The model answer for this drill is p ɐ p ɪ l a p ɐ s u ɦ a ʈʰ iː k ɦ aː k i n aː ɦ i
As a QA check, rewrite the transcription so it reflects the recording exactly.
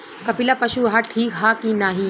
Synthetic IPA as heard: k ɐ p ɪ l a p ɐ ʃ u ɦ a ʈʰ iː k ɦ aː k i n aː ɦ i